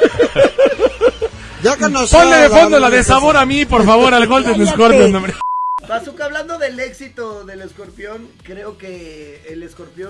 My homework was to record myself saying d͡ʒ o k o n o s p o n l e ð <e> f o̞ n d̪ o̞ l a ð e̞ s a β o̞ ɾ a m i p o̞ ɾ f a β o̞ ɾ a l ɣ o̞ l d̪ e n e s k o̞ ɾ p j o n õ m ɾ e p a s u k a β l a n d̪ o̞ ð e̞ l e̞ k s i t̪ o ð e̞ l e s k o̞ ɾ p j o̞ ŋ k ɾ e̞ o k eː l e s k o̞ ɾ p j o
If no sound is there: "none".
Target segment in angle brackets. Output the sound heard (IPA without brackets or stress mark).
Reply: e